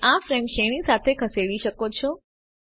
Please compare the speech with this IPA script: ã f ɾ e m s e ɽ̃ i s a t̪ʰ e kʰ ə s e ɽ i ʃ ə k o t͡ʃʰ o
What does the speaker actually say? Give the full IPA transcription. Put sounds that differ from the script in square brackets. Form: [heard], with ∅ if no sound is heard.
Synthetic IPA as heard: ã f ɾ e m [ʃ] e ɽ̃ i s a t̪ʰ e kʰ ə s e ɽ i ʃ ə k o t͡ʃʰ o